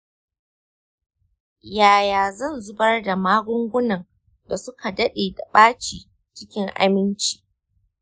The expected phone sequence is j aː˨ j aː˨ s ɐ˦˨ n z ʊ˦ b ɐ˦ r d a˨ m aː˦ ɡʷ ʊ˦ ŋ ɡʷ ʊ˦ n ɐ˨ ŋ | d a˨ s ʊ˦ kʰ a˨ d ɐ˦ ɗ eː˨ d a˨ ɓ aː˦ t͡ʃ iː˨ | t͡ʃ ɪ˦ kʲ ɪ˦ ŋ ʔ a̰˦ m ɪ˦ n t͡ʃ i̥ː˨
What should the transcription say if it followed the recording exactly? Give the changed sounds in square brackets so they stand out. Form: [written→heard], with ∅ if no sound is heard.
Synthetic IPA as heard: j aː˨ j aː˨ [s→z] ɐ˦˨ n z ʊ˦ b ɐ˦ r d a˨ m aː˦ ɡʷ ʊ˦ ŋ ɡʷ ʊ˦ n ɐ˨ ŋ | d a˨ s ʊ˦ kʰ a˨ d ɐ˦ ɗ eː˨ d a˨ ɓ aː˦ t͡ʃ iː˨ | t͡ʃ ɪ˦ kʲ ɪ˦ ŋ ʔ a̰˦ m ɪ˦ n t͡ʃ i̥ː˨